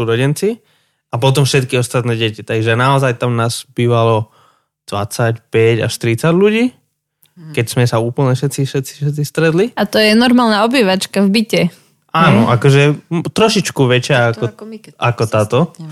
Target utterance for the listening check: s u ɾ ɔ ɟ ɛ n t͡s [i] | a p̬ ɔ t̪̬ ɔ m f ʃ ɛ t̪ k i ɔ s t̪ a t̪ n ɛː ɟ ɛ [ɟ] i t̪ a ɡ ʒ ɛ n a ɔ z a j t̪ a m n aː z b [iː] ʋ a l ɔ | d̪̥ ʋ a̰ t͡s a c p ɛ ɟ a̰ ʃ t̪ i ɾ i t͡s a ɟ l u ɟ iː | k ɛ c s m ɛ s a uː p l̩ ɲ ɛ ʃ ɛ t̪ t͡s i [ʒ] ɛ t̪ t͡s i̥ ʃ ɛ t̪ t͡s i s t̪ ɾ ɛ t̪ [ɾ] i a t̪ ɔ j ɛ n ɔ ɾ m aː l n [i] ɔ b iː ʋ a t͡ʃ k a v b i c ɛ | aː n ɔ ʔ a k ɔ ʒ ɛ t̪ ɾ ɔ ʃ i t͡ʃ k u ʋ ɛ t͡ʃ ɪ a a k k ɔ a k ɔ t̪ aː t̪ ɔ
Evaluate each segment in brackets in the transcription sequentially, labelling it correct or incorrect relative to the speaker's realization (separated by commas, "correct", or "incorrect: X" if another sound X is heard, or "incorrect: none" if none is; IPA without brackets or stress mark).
correct, incorrect: c, correct, incorrect: ʃ, incorrect: l, incorrect: a